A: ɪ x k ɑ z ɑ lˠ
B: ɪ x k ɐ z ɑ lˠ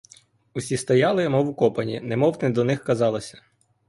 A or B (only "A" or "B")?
B